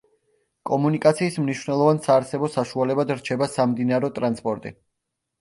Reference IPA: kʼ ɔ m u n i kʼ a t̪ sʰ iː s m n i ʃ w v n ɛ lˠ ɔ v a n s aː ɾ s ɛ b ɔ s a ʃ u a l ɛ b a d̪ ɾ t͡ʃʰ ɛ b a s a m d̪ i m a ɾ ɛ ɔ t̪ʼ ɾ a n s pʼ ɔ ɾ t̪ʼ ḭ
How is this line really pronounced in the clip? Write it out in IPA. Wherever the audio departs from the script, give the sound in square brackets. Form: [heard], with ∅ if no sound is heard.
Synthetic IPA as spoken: kʼ ɔ m u n i kʼ a t̪ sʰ iː s m n i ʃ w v n ɛ lˠ ɔ v a n s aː ɾ s ɛ b ɔ s a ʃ u a l ɛ b a d̪ ɾ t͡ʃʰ ɛ b a s a m d̪ i [n] a ɾ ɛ ɔ t̪ʼ ɾ a n s pʼ ɔ ɾ t̪ʼ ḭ